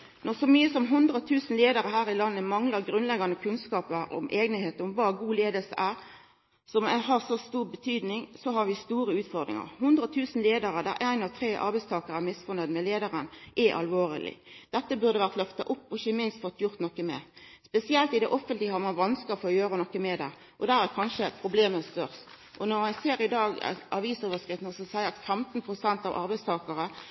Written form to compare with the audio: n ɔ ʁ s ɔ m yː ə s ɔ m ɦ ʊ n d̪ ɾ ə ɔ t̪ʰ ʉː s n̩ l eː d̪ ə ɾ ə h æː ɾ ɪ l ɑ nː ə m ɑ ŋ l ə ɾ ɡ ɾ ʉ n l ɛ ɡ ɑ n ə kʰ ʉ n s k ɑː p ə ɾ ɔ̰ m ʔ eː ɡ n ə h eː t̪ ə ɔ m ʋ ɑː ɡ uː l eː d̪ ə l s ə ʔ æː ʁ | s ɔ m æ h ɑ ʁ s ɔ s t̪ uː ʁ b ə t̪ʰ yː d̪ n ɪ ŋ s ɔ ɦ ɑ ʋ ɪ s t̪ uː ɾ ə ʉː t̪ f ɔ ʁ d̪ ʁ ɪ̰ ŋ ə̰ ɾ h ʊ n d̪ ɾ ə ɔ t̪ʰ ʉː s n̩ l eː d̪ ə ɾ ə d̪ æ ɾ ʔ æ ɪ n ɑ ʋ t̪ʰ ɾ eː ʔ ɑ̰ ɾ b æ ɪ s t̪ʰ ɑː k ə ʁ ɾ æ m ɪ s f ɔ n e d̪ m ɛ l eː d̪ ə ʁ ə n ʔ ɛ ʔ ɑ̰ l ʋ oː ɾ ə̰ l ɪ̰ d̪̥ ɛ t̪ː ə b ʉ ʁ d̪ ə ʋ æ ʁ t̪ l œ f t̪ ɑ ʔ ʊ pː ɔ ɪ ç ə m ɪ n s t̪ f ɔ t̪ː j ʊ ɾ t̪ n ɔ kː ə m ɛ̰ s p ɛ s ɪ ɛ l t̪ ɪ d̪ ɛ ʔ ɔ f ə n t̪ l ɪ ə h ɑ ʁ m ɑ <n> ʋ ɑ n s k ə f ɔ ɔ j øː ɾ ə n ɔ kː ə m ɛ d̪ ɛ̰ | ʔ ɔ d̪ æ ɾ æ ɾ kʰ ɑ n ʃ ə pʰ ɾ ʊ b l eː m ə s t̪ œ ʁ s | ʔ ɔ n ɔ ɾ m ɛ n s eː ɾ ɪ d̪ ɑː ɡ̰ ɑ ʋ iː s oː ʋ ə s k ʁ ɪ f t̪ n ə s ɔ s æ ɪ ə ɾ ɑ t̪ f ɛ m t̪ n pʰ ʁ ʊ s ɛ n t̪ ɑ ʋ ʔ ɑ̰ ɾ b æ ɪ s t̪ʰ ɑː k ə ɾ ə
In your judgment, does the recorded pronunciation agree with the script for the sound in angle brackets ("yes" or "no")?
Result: yes